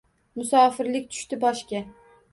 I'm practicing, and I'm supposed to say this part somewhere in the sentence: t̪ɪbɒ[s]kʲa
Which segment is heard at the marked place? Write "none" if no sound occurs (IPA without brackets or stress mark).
ʃ